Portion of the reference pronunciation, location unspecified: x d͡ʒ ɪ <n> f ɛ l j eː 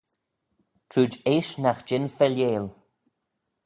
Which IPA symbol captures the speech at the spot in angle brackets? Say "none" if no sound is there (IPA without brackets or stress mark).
n